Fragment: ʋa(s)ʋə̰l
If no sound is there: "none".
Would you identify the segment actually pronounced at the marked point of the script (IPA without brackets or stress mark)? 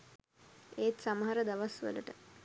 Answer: s